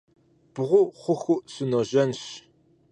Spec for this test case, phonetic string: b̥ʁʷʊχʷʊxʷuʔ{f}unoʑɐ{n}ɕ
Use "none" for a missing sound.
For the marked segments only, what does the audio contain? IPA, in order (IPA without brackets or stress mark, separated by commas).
s, n